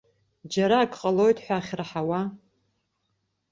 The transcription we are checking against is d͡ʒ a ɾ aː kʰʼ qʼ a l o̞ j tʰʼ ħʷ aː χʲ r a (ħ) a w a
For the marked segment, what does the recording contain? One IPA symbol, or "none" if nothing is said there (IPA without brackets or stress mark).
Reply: ħ